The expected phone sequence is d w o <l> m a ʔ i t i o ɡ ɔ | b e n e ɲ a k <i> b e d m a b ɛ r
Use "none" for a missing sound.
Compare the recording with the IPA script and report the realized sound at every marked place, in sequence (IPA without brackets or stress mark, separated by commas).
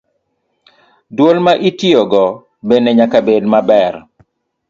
l, a